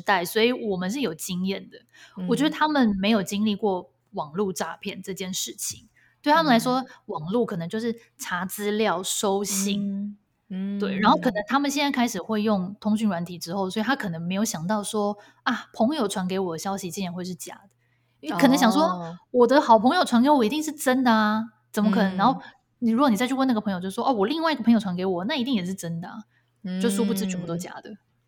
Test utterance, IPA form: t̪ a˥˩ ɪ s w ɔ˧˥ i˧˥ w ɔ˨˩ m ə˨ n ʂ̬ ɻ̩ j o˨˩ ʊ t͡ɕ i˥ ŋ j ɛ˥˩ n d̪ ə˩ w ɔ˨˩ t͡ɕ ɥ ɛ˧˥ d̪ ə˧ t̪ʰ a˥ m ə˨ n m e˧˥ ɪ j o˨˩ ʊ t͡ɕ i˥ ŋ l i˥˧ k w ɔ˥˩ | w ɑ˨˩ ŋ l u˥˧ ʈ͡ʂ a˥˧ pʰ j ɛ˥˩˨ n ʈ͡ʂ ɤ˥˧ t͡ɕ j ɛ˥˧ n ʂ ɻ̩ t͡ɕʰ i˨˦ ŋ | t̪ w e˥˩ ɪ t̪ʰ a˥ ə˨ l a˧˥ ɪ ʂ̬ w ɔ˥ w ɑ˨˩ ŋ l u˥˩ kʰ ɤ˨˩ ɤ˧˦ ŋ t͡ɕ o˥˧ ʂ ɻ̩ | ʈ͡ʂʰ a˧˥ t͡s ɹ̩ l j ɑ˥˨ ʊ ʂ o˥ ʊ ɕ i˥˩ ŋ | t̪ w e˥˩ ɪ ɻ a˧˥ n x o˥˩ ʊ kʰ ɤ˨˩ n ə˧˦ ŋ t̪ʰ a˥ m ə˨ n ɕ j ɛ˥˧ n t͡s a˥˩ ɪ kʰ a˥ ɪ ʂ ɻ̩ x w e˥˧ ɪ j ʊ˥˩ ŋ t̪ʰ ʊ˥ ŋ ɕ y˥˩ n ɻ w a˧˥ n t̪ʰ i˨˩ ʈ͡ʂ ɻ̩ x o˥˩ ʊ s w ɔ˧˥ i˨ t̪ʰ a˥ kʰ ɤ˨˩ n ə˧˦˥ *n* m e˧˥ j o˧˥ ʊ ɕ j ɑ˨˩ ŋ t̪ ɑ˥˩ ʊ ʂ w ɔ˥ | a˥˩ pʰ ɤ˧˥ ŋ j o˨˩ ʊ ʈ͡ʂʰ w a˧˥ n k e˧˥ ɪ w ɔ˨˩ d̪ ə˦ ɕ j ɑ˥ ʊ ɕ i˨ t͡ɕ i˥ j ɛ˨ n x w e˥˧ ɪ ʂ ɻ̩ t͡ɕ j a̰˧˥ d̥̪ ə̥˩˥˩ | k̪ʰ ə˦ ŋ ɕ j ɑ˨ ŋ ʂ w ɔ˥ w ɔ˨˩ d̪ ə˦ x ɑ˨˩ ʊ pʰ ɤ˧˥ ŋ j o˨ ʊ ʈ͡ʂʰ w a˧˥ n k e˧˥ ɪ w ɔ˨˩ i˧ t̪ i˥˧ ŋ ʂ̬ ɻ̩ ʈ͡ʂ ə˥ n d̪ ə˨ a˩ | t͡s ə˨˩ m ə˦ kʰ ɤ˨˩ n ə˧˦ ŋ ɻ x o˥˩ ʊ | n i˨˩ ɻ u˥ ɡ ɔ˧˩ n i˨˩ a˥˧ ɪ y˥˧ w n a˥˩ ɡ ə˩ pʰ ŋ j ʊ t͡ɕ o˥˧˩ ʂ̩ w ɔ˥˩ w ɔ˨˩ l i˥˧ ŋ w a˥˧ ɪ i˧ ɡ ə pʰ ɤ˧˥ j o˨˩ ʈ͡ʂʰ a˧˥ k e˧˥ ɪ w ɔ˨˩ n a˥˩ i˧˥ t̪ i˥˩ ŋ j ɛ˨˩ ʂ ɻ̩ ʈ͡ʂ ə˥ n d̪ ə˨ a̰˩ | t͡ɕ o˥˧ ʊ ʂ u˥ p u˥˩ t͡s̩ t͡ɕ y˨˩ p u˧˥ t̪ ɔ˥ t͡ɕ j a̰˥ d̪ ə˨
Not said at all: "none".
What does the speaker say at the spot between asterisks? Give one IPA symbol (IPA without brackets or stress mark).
ŋ